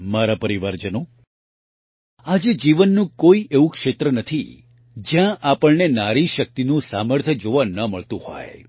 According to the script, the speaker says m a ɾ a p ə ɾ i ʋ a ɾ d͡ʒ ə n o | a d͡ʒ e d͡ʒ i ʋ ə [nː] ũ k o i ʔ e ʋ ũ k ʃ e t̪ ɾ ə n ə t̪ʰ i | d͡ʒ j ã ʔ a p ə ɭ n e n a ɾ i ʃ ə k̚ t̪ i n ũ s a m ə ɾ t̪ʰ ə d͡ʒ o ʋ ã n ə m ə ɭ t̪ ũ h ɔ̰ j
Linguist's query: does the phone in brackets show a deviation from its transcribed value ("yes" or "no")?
no